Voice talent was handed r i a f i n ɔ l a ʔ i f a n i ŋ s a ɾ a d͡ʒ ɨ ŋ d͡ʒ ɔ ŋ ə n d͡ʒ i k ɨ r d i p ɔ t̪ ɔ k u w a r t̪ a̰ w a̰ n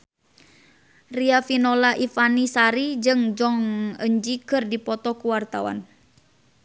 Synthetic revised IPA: r i a f i n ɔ l a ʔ i f a n i s a ɾ i d͡ʒ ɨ ŋ d͡ʒ ɔ ŋ ə ɲ d͡ʒ i k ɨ r d i p ɔ t̪ ɔ k u w a r t̪ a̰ w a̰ n